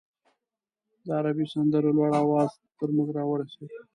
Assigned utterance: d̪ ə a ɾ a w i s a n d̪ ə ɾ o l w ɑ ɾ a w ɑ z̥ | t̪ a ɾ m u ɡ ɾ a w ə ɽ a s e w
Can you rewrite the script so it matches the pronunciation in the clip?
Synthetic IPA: d̪ ə a ɾ a b i s a n d̪ ə ɾ o l w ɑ ɽ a w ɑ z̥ | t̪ ə ɾ m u ɡ ɾ ɑ w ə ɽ a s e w